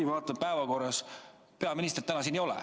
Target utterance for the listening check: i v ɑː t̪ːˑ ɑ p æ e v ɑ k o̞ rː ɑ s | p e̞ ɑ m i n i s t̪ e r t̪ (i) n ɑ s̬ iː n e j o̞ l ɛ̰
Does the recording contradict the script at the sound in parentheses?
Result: yes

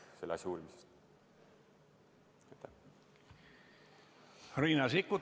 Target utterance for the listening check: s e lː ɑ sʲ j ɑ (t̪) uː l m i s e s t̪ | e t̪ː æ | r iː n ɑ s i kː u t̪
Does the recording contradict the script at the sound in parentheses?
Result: yes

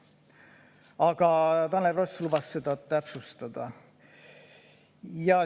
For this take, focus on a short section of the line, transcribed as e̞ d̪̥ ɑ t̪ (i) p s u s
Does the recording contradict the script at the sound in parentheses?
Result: yes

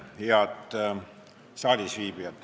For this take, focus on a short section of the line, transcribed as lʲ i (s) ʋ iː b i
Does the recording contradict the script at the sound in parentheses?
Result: no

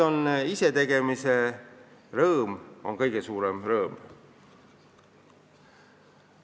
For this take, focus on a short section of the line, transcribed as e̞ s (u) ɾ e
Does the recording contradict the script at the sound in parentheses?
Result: yes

